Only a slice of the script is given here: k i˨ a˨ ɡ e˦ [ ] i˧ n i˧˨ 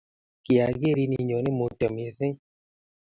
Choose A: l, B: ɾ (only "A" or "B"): B